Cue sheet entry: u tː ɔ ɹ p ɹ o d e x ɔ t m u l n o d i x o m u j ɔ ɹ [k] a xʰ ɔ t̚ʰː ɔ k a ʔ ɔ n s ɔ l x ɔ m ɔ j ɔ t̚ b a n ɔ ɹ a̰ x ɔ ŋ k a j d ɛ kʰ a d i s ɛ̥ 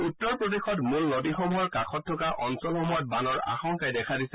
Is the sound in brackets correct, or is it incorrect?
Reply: correct